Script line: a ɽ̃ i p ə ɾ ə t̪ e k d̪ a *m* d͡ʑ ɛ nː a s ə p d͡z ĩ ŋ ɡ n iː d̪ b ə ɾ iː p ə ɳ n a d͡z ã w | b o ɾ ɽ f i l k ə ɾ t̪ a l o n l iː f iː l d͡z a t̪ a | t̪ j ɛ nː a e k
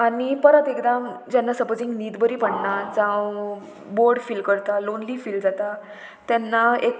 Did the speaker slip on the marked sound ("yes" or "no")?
no